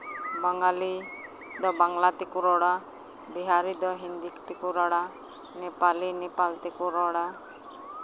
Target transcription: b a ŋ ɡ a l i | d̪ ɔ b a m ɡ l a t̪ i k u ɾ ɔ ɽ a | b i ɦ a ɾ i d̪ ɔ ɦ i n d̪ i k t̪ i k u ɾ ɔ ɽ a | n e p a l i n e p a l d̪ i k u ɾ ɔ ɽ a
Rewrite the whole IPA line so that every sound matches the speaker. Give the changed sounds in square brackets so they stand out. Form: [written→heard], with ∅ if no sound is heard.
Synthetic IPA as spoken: b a ŋ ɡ a l i | d̪ ɔ b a [m→ŋ] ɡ l a t̪ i k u ɾ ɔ ɽ a | b i ɦ a ɾ i d̪ ɔ ɦ i n d̪ i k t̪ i k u ɾ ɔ ɽ a | n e p a l i n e p a l [d̪→t̪] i k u ɾ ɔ ɽ a